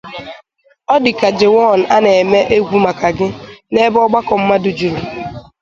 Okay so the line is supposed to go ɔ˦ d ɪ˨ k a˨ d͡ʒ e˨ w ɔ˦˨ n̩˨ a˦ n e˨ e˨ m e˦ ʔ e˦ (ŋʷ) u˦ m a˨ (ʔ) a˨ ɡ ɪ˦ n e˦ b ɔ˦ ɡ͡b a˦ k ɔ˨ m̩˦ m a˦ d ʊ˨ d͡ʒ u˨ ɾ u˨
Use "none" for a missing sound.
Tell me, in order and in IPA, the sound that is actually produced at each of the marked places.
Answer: ɡʷ, k

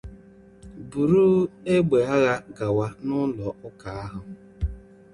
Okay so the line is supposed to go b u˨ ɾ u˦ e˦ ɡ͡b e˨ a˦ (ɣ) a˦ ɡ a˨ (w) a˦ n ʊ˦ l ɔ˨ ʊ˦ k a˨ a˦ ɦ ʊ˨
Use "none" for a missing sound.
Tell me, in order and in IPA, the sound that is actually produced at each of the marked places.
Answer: ɣ, w

